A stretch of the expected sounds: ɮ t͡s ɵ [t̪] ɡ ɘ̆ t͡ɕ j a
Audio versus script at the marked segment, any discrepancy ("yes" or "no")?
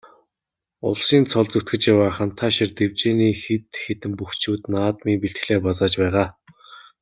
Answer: no